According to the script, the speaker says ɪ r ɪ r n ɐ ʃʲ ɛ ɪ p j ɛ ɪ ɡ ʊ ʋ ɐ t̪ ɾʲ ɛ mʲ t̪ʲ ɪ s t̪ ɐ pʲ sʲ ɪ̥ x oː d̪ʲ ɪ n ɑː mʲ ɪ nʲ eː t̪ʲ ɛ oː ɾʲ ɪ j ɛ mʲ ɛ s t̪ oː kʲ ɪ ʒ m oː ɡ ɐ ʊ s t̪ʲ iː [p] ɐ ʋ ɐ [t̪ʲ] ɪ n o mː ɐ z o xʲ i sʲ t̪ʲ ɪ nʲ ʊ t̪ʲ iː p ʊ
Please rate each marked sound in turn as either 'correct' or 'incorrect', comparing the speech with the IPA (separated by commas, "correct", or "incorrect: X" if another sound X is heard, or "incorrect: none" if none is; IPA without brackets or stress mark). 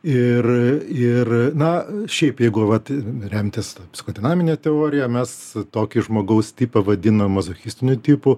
correct, incorrect: d̪ʲ